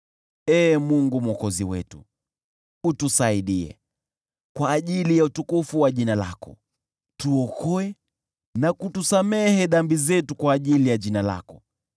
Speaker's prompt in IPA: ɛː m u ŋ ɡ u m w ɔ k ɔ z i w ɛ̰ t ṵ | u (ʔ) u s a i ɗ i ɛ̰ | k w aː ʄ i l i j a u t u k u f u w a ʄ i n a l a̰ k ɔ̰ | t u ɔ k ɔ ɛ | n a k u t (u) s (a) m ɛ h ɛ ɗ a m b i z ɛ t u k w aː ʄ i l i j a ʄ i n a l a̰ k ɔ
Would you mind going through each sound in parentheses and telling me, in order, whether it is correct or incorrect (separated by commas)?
incorrect, correct, correct